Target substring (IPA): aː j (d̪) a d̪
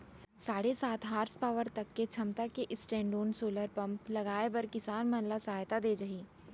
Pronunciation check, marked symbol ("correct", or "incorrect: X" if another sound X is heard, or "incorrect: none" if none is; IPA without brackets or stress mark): incorrect: t̪